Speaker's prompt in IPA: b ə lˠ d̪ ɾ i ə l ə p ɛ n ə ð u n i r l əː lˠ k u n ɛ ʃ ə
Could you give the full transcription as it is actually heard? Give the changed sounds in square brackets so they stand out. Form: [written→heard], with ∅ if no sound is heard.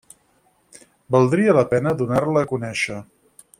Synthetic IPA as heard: b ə lˠ d̪ ɾ i ə l ə p ɛ n ə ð u n [i→a] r l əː [lˠ→∅] k u n ɛ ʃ ə

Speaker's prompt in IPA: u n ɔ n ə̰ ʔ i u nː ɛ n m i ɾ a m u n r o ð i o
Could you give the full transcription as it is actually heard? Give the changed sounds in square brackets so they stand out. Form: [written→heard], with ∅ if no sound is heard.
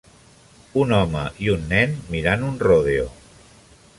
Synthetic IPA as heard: u n ɔ [n→m] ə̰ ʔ i u nː ɛ n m i ɾ a [m→n] u n r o ð [i→e] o

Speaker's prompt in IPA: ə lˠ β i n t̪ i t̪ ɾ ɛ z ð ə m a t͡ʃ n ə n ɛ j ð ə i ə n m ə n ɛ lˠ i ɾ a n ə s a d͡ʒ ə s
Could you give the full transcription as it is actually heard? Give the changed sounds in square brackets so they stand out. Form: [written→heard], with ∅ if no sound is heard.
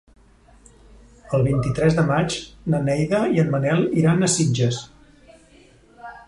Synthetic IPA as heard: ə lˠ β i n t̪ i t̪ ɾ ɛ z ð ə m a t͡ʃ n ə n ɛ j ð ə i ə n m ə n ɛ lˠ i ɾ a n ə s [a→i] d͡ʒ ə s

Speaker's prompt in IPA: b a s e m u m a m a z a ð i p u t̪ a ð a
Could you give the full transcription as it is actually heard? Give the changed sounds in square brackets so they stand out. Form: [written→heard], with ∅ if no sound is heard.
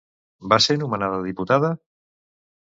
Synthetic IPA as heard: b a s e [m→n] u m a [m→n] a [z→ð] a ð i p u t̪ a ð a

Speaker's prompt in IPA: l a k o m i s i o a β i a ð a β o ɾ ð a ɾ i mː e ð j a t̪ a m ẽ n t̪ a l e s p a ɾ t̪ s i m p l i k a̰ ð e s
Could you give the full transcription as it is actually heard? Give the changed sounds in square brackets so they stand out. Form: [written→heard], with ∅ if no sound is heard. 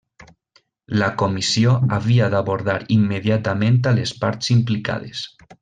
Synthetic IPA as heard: l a k o m i s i o a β i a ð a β o ɾ ð a ɾ i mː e ð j a t̪ a m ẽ n t̪ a l e s p a ɾ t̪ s i m p l i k a̰ ð e s

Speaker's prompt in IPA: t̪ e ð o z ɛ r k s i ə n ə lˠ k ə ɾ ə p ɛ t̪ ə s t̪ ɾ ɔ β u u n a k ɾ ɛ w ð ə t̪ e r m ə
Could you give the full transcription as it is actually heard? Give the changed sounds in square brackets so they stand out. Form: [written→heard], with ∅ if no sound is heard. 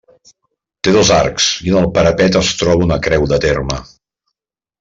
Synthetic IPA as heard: t̪ e ð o z [ɛ→a] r k s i ə n ə lˠ [k→p] ə ɾ ə p ɛ t̪ ə s t̪ ɾ ɔ β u u n [a→ə] k ɾ ɛ w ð ə t̪ e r m ə

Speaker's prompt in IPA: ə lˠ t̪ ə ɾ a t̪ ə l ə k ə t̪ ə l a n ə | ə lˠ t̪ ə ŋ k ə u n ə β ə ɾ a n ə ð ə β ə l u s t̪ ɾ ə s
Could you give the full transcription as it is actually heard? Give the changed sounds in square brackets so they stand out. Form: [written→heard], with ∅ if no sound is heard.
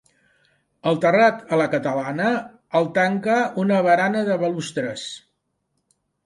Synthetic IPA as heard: ə lˠ t̪ ə [ɾ→r] a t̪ ə l ə k ə t̪ ə l a n ə | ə lˠ t̪ [ə→a] ŋ k ə u n ə β ə ɾ a n ə ð ə β ə l u s t̪ ɾ ə s

